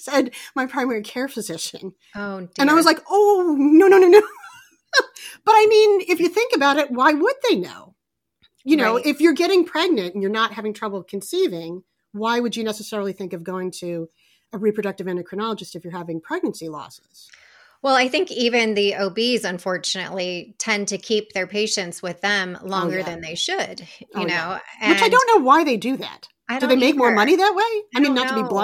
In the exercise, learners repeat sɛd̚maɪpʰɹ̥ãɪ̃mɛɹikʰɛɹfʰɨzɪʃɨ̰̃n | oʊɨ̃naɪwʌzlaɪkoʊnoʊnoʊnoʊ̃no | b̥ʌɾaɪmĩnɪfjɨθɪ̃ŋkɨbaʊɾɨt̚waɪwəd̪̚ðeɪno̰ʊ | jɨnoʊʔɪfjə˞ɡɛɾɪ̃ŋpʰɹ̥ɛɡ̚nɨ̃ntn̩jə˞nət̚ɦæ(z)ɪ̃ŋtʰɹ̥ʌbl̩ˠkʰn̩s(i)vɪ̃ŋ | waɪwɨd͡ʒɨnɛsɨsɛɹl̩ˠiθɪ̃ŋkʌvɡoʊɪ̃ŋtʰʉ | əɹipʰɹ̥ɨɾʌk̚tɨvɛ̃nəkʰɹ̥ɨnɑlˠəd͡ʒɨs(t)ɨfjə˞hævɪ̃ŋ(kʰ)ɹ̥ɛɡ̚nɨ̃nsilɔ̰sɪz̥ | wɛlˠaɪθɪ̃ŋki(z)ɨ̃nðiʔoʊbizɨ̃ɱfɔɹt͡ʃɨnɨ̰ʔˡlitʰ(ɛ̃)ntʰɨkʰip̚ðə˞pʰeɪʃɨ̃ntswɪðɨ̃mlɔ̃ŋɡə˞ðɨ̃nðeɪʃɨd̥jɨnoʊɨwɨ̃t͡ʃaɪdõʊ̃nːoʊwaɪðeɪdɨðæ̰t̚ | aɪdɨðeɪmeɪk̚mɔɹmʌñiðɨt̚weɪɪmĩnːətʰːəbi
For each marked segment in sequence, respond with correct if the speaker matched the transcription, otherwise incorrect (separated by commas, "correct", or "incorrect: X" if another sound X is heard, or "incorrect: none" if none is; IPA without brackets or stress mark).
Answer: incorrect: v, correct, correct, incorrect: pʰ, incorrect: v, correct